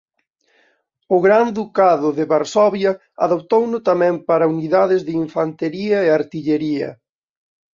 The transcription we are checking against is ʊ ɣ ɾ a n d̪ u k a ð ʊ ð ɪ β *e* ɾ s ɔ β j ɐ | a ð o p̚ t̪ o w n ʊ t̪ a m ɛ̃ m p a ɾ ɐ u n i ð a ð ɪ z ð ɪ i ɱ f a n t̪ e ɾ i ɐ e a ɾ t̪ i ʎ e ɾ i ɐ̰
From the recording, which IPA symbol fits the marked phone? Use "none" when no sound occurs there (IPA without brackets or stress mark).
a